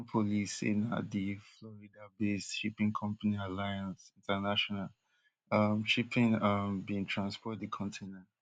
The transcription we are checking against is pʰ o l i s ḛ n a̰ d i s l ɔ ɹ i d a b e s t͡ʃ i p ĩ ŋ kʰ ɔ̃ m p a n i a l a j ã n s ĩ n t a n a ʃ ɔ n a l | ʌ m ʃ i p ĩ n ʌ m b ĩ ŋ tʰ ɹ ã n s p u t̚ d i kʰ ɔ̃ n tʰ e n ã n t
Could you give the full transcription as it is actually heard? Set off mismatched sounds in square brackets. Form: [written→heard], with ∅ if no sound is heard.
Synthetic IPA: pʰ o l i s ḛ n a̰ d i [s→f] l ɔ ɹ i d a b e s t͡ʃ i p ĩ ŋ kʰ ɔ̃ m p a n i a l a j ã n s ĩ n t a n a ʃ ɔ n a l | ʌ m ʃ i p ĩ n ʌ m b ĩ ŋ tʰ ɹ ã n s p [u→ɔ] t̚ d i kʰ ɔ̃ n tʰ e n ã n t